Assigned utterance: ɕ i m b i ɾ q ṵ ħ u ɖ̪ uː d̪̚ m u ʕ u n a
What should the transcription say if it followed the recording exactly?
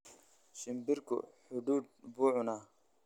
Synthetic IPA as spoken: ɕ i m b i ɾ k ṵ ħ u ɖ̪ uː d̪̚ b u ʕ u n a